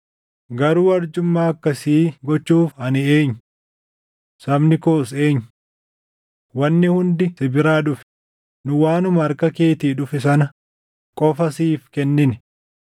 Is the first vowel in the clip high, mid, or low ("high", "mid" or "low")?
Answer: low